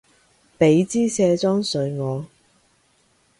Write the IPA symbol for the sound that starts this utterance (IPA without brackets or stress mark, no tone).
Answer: p